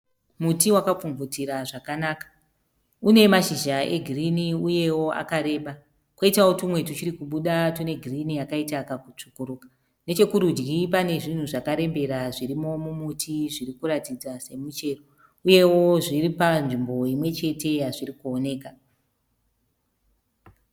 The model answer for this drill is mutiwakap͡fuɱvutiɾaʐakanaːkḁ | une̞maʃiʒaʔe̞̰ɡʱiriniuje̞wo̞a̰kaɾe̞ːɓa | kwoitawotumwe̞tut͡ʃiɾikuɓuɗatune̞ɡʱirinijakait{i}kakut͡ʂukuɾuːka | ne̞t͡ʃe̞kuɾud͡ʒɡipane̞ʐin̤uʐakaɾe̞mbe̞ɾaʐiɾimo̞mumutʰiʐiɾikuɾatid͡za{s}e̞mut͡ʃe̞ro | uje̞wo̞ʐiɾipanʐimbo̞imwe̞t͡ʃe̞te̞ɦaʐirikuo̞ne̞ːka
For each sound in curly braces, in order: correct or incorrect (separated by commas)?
incorrect, correct